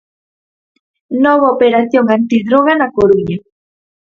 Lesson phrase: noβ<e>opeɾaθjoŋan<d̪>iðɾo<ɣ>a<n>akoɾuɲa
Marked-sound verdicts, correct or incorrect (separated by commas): incorrect, incorrect, correct, correct